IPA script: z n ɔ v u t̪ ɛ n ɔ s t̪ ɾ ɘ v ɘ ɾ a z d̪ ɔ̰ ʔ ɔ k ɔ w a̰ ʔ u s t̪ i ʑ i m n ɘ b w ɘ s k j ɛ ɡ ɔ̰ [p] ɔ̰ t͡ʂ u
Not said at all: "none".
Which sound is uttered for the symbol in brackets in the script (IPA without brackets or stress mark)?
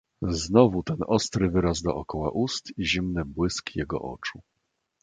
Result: ʔ